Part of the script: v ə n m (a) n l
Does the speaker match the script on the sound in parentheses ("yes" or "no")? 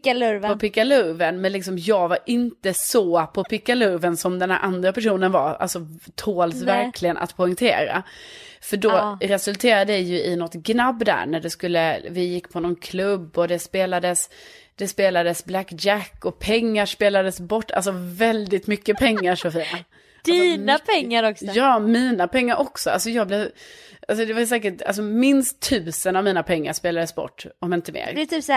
no